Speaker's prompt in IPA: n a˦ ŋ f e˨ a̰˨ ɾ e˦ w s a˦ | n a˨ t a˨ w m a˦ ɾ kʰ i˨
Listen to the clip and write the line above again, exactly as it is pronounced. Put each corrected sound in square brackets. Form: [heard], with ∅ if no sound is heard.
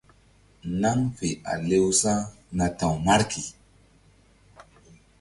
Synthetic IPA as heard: n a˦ ŋ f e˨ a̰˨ [l] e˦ w s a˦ | n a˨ t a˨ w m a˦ ɾ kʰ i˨